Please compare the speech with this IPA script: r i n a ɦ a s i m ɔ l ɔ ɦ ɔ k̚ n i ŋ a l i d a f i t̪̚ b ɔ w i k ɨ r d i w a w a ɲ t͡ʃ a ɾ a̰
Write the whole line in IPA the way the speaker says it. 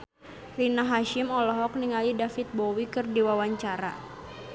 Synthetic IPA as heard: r i n a ɦ a ʃ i m ɔ l ɔ ɦ ɔ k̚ n i ŋ a l i d a f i t̪̚ b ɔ w i k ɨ r d i w a w a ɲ t͡ʃ a ɾ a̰